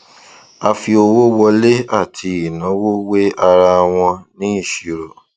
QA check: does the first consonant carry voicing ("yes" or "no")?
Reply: no